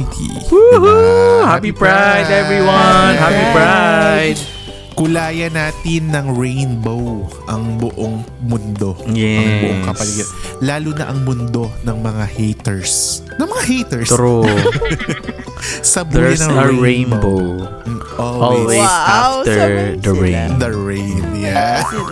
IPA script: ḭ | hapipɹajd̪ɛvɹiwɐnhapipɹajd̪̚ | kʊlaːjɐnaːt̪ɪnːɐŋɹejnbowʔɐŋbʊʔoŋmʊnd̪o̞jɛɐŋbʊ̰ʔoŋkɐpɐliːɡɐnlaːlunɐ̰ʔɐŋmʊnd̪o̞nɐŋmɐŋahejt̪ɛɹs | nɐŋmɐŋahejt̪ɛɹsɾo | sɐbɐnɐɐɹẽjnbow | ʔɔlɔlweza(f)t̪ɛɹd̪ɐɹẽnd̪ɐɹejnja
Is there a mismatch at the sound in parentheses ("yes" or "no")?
no